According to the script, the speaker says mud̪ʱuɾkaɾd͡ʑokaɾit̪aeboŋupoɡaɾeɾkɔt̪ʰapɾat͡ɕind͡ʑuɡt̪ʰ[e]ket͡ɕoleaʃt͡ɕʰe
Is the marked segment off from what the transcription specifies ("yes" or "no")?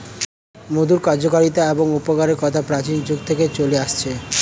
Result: no